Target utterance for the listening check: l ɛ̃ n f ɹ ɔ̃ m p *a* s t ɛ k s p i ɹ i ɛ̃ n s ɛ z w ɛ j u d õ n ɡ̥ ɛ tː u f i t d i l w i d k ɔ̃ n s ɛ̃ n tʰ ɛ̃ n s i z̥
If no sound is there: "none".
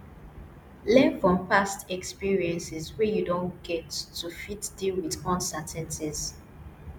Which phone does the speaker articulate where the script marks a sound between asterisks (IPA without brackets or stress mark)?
a